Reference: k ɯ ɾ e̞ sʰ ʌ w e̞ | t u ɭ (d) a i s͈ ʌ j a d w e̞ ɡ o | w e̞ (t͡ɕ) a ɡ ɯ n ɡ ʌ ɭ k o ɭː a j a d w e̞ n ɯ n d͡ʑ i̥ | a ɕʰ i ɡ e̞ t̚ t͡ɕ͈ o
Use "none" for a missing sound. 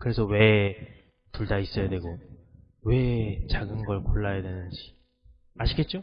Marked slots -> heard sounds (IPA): d, t͡ɕ

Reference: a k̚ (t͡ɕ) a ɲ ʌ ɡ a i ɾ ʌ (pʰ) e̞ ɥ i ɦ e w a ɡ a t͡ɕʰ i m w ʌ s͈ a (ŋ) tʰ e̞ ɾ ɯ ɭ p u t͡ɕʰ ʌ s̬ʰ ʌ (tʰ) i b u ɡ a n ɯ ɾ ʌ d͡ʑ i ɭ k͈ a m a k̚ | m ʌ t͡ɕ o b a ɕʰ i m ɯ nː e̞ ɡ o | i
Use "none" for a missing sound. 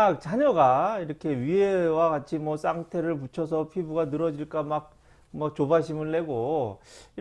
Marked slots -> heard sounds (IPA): t͡ɕ, kʰ, ŋ, pʰ

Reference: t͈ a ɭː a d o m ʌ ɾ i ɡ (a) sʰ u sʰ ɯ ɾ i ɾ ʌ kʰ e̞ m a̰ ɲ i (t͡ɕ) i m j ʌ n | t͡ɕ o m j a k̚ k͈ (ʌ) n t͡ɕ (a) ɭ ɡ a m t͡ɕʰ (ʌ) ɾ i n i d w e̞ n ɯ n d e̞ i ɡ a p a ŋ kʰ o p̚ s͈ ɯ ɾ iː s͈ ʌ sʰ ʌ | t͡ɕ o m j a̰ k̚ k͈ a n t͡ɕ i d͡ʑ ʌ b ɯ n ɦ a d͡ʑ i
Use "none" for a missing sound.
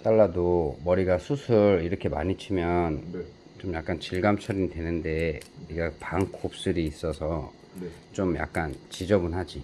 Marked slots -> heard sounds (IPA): a, t͡ɕʰ, a, i, ʌ

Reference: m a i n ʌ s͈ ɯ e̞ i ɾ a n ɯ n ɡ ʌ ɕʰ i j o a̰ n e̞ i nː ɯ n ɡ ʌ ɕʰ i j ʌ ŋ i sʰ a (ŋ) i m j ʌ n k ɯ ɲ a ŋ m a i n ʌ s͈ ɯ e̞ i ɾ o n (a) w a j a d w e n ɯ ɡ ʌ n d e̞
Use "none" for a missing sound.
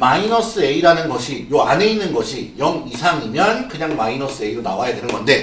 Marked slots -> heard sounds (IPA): ŋ, a

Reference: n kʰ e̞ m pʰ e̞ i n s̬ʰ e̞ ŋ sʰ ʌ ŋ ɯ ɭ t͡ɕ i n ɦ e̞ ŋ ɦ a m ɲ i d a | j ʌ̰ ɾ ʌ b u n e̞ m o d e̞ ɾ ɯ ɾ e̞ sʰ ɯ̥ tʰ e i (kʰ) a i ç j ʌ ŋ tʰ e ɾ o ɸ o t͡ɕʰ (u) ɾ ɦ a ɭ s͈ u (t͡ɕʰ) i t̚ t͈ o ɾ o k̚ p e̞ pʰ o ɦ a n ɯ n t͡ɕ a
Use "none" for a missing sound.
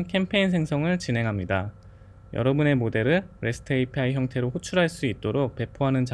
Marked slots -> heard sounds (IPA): pʰ, u, none

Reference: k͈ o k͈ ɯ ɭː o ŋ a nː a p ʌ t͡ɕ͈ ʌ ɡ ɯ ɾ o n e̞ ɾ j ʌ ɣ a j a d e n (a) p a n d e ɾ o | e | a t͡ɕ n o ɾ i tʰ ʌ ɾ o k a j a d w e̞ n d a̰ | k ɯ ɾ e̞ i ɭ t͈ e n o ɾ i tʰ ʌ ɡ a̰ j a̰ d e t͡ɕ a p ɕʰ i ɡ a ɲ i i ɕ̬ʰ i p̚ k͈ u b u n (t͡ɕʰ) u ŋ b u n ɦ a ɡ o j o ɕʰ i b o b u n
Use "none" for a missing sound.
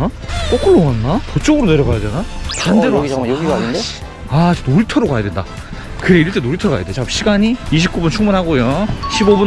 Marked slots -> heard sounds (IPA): a, t͡ɕʰ

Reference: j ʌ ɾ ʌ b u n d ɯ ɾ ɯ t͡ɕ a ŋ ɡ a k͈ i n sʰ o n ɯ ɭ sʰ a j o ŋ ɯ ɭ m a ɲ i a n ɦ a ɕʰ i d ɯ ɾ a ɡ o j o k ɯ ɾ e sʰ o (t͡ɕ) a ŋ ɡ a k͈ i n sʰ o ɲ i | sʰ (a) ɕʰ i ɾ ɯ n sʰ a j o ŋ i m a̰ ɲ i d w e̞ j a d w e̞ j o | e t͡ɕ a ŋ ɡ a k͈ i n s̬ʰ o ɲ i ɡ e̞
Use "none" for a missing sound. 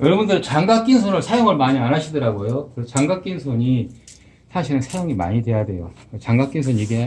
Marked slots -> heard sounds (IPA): t͡ɕ, a

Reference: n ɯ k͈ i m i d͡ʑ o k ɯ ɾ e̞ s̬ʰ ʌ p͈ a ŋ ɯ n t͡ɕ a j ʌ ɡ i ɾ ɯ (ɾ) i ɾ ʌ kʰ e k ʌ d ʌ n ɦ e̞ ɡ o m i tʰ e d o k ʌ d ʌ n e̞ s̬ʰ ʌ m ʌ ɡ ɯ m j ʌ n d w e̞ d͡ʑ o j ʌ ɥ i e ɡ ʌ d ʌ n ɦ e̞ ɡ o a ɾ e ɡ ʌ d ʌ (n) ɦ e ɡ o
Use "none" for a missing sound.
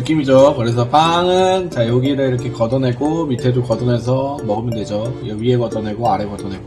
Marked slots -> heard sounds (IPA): ɭ, n

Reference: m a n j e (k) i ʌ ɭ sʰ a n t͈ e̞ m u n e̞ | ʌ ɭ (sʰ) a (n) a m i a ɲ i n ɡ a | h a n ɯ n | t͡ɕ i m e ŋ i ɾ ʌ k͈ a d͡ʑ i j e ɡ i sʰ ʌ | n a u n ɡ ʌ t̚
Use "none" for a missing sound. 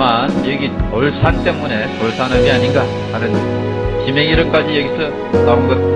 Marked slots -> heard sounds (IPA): ɡ, sʰ, n

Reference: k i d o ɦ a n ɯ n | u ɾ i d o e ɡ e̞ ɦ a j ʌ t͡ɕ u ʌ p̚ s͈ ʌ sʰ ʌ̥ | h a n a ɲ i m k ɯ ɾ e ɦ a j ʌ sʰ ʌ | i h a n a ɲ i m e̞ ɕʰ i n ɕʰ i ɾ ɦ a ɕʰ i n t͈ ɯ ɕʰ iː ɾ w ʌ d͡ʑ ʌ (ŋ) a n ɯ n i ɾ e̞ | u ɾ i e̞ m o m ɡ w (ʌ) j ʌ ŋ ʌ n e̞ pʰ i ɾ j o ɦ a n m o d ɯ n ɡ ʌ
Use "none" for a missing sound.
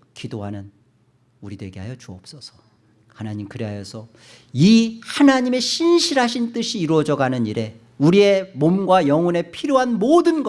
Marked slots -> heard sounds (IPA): ɡ, a

